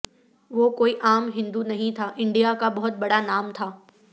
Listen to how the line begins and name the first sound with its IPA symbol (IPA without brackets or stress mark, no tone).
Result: ʋ